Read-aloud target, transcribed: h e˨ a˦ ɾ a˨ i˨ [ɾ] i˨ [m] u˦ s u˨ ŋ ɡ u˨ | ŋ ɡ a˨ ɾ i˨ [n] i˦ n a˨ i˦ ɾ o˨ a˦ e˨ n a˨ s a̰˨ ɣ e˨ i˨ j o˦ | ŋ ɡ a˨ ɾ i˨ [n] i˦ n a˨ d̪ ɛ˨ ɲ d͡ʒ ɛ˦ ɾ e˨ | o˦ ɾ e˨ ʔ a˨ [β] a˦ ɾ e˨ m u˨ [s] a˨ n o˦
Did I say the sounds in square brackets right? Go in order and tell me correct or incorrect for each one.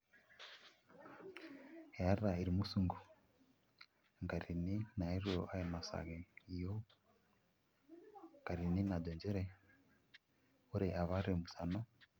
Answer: correct, correct, correct, correct, correct, correct

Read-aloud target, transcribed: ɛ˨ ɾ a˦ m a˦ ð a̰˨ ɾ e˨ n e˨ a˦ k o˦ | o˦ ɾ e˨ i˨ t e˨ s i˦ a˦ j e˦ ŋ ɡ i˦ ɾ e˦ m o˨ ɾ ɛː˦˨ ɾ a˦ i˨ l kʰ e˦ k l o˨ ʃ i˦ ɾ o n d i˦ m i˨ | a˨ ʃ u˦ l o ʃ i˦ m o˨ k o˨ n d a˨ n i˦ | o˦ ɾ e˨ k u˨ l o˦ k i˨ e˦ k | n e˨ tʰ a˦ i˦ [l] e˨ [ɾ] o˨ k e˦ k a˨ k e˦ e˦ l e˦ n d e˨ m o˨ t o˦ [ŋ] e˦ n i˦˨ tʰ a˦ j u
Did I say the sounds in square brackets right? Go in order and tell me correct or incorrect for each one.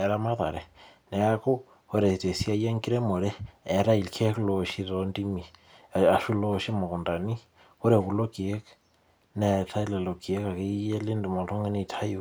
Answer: correct, incorrect: l, correct

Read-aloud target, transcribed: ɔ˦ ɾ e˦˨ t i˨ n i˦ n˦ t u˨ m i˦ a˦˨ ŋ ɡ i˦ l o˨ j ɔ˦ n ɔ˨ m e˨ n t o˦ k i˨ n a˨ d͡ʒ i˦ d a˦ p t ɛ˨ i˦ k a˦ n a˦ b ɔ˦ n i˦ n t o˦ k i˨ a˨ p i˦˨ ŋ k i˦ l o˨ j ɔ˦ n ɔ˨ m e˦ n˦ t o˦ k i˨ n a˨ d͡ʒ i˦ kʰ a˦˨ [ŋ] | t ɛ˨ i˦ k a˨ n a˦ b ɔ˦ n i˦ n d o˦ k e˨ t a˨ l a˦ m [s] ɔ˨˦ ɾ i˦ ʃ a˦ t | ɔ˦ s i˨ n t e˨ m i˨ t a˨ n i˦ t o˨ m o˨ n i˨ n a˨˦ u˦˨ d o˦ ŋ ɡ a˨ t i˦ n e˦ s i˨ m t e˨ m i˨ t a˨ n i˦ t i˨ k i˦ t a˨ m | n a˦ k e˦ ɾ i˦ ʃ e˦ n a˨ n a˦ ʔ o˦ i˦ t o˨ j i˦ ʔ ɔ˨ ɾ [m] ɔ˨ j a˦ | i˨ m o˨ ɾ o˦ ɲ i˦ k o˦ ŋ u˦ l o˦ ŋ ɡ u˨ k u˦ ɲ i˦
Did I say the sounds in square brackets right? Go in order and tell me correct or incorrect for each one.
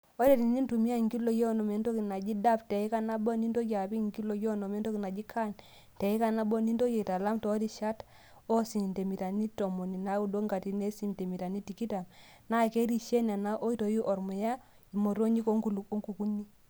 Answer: incorrect: n, incorrect: t, correct

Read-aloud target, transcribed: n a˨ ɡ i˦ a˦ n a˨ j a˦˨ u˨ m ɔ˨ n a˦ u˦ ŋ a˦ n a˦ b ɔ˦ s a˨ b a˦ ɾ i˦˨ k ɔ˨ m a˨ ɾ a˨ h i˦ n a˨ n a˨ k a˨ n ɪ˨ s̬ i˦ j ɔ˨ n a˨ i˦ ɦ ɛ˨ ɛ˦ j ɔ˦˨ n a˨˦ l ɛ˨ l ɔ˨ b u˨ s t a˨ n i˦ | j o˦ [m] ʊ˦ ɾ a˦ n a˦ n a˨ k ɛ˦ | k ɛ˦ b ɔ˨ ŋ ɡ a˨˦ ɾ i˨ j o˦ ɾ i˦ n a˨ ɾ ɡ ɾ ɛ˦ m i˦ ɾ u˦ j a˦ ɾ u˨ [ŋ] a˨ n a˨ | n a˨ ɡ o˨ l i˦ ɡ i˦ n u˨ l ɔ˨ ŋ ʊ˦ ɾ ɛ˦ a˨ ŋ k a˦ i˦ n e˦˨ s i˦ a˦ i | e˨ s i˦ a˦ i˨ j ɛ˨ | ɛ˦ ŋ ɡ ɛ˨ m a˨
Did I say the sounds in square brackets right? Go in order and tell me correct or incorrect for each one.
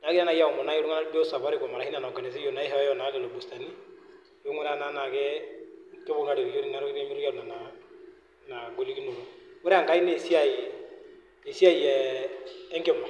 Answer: incorrect: ŋ, incorrect: n

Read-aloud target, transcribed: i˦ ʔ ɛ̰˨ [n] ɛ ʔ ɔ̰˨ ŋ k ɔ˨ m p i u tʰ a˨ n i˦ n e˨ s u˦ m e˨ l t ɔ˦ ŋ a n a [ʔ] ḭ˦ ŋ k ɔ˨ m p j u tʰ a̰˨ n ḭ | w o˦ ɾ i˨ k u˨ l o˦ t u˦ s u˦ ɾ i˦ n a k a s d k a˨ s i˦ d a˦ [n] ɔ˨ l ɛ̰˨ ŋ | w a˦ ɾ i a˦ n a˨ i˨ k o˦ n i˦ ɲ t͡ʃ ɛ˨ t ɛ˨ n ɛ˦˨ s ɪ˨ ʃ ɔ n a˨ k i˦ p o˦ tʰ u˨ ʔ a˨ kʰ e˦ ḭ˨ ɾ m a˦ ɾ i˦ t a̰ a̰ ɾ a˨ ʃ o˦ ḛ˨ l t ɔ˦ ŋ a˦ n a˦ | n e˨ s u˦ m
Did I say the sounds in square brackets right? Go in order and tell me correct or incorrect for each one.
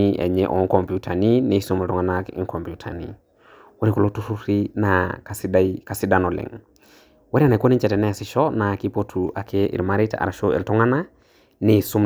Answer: incorrect: ɲ, incorrect: k, correct

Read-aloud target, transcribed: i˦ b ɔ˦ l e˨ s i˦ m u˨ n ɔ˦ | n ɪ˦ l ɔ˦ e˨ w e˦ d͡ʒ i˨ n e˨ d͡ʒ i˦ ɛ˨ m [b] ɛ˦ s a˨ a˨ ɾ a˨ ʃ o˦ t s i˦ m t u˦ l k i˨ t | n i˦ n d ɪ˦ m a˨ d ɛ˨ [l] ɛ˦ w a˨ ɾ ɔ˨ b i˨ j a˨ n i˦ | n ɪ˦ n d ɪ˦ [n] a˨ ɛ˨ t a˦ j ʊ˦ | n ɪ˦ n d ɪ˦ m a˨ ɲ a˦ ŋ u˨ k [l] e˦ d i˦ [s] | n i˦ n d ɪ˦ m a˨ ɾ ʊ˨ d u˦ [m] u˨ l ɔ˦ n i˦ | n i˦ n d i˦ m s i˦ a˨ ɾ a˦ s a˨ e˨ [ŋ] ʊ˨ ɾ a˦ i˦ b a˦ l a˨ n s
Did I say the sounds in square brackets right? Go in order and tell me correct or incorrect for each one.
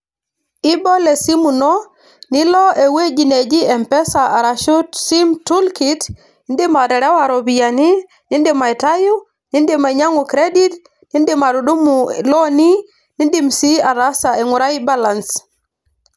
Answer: incorrect: p, incorrect: ɾ, incorrect: m, incorrect: ɾ, incorrect: t, correct, correct

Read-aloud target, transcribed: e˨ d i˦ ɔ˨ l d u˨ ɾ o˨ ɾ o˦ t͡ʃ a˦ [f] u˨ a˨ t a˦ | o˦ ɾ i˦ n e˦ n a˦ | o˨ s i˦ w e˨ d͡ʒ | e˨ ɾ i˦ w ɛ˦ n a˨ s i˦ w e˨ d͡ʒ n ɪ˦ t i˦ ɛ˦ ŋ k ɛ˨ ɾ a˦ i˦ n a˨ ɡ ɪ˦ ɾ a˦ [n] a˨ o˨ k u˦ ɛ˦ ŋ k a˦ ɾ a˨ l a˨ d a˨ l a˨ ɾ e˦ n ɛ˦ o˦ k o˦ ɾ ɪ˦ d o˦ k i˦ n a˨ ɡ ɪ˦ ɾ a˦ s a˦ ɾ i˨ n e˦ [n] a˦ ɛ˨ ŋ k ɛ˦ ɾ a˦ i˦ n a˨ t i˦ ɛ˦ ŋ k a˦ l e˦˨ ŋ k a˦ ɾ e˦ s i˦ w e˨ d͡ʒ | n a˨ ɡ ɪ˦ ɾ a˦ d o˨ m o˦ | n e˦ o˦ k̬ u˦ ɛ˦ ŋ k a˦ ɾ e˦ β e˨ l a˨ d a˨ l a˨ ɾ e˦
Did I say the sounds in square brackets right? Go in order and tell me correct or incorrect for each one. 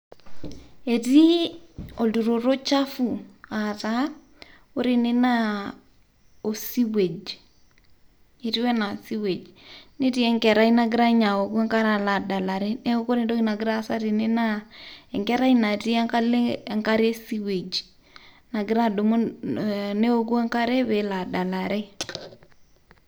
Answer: correct, incorrect: ɲ, correct

